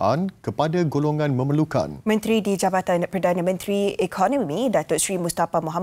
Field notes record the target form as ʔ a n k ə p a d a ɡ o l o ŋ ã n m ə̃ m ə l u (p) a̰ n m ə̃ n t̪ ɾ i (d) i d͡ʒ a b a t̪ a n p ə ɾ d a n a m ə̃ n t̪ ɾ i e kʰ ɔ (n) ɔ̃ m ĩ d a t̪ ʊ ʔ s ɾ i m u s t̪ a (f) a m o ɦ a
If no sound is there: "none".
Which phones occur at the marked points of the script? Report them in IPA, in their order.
k, d, n, f

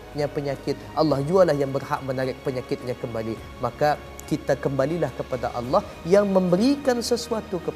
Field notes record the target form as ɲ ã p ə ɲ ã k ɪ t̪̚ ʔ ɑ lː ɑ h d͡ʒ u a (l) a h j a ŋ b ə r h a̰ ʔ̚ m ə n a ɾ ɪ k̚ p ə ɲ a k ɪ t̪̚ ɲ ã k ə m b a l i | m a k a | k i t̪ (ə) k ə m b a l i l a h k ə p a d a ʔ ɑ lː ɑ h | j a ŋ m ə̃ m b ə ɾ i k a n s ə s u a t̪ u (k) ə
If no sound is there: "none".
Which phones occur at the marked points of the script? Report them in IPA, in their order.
l, a, k

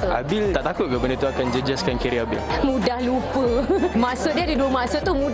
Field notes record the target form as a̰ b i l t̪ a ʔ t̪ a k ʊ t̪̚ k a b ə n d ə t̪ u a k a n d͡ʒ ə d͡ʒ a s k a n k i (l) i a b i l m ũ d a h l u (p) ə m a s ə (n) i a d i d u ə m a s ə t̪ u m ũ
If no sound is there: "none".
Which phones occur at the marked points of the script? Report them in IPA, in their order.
ɾ, p, d

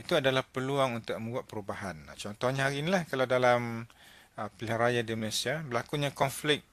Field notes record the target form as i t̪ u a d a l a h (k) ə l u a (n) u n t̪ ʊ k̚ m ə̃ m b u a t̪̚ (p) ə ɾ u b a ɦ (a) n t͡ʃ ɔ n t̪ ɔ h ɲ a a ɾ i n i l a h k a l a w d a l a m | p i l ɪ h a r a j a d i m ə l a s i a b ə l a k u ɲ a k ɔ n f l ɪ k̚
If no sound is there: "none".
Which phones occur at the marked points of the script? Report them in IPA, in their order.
p, ŋ, p, a

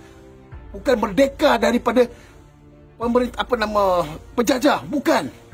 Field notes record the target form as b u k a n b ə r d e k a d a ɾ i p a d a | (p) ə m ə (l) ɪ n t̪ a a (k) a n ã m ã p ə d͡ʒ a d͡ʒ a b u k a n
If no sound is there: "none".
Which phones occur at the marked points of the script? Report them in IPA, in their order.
p, ɾ, p

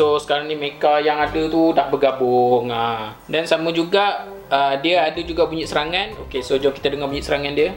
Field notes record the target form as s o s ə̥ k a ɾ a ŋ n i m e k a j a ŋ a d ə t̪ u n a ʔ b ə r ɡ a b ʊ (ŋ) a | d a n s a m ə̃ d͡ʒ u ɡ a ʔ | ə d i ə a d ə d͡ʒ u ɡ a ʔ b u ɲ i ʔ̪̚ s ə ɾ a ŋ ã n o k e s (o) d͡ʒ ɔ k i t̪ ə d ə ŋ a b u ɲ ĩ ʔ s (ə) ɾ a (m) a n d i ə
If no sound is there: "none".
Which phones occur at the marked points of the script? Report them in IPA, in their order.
ŋ, o, ə, ŋ

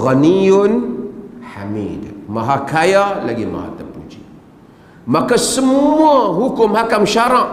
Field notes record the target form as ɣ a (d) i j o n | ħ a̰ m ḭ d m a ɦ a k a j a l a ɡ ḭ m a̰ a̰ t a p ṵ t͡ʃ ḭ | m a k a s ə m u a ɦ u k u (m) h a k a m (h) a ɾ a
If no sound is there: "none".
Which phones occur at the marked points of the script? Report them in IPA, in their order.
n, m, ʃ

